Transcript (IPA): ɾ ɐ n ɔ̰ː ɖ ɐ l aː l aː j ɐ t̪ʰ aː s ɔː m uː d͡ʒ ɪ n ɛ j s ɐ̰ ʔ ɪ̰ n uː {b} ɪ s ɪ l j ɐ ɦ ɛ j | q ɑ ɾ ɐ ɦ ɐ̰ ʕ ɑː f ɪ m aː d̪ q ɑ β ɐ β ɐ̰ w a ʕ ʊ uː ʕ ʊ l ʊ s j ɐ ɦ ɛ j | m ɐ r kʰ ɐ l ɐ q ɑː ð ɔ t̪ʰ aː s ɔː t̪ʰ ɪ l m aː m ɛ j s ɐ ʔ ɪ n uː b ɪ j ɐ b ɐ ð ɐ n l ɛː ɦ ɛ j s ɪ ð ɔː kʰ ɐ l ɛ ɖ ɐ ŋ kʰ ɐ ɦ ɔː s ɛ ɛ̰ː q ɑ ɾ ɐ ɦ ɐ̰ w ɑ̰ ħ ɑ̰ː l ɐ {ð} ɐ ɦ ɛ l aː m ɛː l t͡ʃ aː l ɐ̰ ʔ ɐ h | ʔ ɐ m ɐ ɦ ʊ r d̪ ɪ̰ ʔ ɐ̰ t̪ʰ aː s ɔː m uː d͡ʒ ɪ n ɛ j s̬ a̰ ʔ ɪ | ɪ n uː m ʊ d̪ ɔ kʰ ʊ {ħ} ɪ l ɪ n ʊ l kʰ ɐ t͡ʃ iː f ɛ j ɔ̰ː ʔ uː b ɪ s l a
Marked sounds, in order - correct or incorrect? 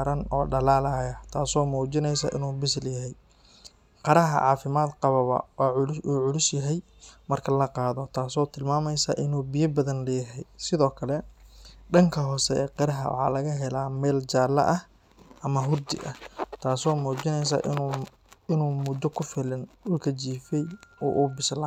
correct, incorrect, incorrect

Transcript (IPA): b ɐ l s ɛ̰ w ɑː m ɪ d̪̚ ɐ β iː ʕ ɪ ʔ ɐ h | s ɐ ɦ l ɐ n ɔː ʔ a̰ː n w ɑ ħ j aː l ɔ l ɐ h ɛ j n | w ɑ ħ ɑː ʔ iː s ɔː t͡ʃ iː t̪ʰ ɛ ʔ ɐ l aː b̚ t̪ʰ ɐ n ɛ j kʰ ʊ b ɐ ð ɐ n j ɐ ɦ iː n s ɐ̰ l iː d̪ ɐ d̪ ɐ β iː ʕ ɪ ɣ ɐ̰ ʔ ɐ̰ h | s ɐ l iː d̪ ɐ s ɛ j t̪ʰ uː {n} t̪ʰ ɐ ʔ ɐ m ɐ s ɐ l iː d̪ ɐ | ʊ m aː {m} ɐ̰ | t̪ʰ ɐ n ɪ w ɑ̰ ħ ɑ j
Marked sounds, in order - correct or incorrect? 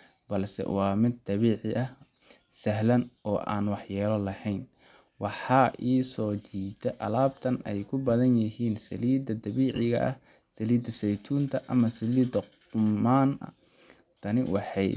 correct, incorrect

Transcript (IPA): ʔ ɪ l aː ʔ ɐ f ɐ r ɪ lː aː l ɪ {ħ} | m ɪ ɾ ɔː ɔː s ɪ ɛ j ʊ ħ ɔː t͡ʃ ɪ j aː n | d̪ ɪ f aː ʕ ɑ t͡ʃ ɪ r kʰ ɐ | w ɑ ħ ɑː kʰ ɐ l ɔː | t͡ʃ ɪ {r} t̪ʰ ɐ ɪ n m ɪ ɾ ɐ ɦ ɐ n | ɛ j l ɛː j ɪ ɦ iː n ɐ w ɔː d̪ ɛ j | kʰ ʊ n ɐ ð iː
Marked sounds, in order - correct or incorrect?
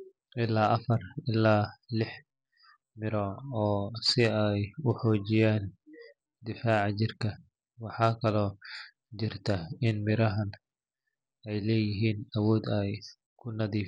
correct, correct

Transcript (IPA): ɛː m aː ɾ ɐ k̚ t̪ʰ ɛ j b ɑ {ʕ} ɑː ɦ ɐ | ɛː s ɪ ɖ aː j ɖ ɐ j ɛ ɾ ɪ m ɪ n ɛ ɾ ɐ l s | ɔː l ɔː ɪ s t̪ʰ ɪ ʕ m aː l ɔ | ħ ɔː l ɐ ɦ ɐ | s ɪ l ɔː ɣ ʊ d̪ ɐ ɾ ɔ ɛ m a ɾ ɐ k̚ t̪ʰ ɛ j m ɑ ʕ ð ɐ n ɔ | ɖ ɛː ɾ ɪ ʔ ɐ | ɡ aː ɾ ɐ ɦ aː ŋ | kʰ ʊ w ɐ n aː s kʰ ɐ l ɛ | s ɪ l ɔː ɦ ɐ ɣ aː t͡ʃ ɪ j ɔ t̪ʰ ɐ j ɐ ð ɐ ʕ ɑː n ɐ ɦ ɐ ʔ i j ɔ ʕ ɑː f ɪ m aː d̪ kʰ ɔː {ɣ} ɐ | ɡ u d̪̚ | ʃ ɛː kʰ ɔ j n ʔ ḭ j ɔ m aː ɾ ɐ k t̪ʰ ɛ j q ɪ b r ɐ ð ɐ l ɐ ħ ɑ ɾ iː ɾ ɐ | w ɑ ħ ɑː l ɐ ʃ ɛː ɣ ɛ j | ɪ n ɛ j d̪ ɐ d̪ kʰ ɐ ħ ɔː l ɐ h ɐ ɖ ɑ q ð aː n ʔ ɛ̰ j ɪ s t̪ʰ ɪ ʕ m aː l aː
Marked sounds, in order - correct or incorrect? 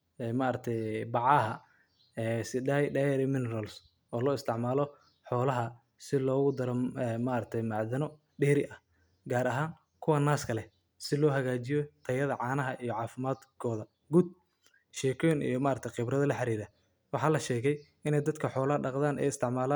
correct, incorrect

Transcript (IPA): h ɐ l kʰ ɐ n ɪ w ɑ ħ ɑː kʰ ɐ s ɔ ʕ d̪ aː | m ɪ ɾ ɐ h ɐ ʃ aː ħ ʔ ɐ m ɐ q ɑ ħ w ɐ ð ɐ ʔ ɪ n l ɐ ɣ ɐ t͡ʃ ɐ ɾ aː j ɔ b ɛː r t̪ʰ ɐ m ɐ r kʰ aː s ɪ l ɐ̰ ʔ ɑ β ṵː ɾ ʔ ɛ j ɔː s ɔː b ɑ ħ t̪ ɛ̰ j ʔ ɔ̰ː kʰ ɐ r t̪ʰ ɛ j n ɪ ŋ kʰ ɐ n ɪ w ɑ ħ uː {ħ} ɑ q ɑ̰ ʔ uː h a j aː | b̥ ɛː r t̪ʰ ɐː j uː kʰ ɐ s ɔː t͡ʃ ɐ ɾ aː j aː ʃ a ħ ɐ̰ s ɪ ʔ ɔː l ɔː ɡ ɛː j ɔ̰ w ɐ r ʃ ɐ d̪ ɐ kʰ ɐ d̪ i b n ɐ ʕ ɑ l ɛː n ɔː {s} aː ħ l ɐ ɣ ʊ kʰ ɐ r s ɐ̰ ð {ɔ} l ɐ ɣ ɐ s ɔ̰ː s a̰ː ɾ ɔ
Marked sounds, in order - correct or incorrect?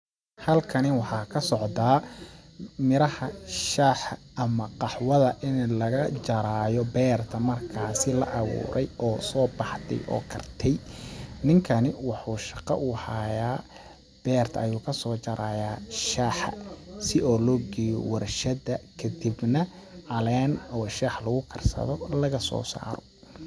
incorrect, incorrect, correct

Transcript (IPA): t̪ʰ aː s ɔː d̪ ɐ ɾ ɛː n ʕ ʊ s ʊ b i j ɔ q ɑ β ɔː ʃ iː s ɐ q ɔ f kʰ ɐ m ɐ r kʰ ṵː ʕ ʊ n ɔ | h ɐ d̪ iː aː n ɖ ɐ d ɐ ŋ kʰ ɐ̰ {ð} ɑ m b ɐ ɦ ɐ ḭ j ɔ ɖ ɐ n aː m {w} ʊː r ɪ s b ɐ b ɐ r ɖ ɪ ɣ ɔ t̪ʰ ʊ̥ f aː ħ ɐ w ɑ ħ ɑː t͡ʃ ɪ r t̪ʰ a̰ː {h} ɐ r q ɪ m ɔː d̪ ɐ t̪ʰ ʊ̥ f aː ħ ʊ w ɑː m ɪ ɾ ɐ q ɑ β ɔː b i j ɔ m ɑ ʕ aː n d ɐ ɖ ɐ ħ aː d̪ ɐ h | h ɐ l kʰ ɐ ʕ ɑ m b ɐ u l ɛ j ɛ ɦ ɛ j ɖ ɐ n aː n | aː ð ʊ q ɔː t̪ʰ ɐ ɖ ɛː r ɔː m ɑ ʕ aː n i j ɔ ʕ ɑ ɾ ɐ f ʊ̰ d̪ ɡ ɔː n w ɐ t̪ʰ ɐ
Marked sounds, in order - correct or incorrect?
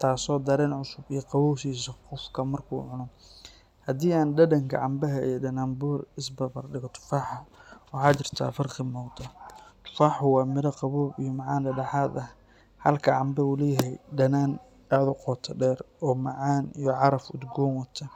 incorrect, incorrect, incorrect

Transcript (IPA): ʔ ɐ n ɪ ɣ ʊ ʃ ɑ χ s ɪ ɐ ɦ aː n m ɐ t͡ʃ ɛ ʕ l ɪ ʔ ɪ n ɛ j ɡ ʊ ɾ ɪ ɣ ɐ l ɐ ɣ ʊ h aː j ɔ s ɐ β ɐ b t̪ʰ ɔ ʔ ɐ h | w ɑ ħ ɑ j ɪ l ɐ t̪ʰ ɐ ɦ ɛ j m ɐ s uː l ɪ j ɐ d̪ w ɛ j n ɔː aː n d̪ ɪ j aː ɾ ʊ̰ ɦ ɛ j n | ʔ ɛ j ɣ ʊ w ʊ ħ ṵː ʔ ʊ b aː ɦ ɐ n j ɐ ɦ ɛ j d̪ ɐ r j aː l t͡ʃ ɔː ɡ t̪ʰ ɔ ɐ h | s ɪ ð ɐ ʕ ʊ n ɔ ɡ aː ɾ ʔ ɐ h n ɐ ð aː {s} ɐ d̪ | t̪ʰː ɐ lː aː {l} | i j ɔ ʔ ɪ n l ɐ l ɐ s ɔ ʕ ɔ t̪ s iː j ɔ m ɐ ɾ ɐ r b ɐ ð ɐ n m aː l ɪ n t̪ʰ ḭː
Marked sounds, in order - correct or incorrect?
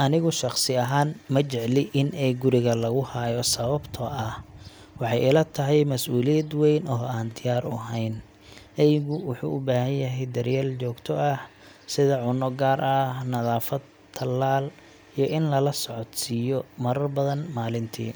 incorrect, correct

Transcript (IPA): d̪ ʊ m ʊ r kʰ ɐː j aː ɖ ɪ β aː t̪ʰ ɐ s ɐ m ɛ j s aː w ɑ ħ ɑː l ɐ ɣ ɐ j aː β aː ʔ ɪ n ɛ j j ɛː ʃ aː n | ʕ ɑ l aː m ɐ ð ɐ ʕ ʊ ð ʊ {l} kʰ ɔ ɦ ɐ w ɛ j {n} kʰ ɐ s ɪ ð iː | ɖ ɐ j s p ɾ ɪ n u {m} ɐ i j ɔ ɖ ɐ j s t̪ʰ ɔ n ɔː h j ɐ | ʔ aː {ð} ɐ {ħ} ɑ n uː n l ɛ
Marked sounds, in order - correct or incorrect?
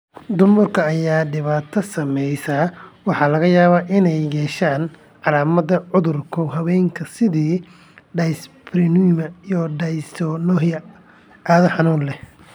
incorrect, incorrect, correct, correct, correct

